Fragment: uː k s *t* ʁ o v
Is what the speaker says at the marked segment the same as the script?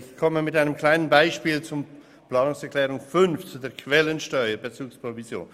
no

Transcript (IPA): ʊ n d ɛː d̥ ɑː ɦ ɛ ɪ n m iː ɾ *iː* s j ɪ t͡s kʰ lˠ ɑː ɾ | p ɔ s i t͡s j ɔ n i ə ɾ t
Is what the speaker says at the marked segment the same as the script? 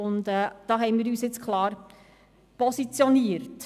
no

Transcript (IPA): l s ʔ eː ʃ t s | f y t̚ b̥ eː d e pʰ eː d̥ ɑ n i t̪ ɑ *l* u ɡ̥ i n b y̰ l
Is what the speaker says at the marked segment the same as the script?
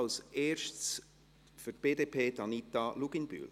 yes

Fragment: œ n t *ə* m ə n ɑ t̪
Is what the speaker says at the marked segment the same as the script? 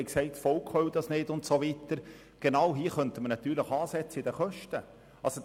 yes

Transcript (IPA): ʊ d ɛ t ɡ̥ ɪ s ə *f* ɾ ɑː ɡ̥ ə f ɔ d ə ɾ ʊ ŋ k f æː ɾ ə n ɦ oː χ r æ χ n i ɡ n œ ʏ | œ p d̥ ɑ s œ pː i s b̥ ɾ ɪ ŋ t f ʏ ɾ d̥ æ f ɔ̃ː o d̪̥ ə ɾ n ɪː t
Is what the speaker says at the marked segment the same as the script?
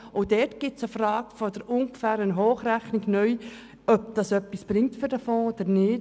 yes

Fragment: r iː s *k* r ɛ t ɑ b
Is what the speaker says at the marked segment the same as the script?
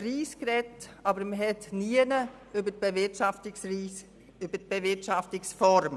yes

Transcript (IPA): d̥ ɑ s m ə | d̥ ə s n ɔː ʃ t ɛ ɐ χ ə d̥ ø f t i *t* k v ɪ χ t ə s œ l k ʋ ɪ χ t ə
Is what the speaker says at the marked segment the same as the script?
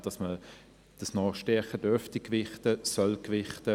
no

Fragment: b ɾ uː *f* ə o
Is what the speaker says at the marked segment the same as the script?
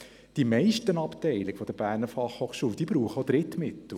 no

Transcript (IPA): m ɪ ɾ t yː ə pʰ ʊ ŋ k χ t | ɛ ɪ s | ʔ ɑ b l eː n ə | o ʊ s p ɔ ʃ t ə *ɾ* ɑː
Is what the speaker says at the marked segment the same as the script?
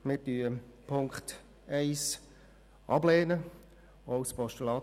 no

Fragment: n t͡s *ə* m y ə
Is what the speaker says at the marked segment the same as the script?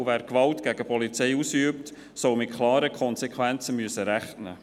yes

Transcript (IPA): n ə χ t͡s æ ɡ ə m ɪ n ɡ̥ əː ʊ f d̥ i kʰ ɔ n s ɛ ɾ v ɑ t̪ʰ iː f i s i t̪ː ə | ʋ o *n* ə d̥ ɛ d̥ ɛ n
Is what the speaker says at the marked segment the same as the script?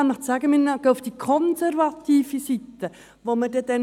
no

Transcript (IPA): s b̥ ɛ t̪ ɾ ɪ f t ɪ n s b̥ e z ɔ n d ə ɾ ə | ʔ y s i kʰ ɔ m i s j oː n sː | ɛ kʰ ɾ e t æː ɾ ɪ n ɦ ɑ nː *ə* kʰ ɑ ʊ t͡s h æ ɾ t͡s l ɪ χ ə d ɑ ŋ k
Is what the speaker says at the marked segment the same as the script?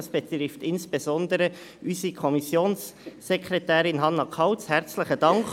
no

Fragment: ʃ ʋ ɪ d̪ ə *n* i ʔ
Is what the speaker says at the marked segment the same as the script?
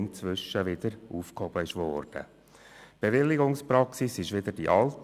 no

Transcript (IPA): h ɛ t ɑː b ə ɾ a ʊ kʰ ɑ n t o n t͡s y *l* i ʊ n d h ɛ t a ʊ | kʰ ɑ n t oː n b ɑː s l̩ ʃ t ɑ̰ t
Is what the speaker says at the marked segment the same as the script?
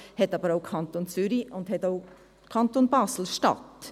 no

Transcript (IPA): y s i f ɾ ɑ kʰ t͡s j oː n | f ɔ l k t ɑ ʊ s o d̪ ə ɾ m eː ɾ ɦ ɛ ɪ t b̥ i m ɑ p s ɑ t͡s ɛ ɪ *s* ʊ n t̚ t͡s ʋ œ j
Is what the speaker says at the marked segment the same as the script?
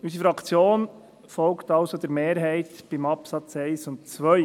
yes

